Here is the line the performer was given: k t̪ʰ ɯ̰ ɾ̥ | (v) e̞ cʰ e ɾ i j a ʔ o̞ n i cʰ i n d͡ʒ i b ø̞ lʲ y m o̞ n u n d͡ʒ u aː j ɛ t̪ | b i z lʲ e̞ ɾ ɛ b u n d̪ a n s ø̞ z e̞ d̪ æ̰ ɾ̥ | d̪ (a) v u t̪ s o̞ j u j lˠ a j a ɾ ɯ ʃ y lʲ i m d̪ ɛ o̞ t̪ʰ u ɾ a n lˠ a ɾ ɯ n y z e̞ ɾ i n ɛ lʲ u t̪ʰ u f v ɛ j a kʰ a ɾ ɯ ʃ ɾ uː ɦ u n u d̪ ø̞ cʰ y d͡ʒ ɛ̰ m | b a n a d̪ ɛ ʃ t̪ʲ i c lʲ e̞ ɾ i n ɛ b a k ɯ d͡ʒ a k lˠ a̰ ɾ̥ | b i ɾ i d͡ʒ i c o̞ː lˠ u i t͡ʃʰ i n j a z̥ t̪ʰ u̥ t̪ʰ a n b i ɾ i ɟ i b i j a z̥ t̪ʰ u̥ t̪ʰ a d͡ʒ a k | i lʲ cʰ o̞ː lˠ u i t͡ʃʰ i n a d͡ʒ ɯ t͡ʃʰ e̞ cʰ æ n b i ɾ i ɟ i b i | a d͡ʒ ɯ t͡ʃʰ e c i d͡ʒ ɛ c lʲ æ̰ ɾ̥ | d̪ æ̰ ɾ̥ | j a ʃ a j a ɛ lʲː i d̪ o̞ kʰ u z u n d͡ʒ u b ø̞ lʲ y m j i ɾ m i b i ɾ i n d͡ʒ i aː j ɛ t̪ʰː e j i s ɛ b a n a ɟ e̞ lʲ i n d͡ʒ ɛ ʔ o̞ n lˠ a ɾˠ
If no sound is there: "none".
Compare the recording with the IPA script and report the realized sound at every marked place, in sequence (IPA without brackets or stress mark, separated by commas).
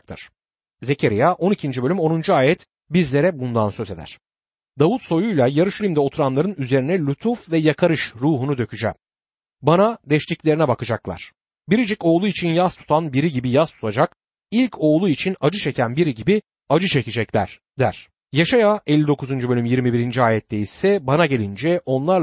z, a